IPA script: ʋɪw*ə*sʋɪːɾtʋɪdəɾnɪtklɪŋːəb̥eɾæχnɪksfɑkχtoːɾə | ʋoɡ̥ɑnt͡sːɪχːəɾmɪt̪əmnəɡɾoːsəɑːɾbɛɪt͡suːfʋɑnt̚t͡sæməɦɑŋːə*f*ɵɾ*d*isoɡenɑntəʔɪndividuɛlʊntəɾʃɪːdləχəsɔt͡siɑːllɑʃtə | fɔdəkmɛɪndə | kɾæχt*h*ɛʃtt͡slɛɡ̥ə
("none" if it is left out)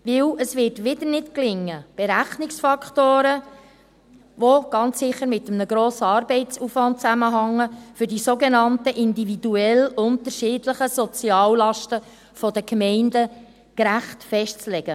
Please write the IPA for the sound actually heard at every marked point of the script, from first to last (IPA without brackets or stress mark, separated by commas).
ə, f, d, f